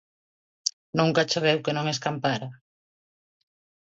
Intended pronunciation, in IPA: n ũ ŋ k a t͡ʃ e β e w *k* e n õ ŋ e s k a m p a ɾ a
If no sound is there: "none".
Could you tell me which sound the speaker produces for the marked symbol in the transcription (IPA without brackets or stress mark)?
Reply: k